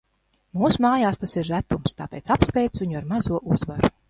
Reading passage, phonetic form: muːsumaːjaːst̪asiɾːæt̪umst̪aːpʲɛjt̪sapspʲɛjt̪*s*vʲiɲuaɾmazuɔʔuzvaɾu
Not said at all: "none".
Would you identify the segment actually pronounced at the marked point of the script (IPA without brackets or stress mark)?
s